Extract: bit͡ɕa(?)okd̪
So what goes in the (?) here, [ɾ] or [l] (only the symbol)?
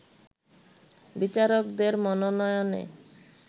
ɾ